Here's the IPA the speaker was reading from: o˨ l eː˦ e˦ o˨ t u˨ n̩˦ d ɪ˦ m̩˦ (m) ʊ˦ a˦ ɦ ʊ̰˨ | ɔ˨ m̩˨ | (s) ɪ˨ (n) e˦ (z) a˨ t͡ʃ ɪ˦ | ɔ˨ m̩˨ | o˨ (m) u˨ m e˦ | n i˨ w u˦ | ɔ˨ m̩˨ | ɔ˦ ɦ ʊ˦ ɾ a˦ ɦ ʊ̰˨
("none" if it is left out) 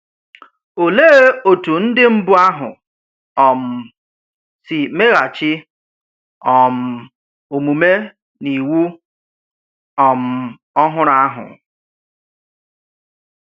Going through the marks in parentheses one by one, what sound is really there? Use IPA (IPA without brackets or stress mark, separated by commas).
b, s, m, ɣ, m